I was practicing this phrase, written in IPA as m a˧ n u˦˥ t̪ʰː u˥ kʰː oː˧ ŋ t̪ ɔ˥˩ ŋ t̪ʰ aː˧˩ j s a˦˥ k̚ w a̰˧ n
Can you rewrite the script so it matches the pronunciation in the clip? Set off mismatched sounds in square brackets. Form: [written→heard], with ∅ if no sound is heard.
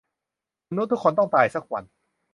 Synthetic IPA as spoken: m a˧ n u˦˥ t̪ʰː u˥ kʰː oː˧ [ŋ→n] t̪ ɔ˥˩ ŋ [t̪ʰ→t̪] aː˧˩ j s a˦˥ k̚ w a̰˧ n